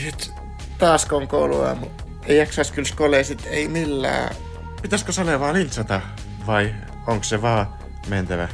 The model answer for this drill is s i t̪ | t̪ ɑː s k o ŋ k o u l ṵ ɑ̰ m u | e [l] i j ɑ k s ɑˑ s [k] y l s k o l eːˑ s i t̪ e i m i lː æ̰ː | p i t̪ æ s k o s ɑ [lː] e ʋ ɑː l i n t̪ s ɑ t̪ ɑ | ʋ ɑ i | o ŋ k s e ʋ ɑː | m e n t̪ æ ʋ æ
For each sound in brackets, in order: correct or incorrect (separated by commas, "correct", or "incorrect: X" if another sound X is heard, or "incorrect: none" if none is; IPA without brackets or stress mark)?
incorrect: none, correct, incorrect: l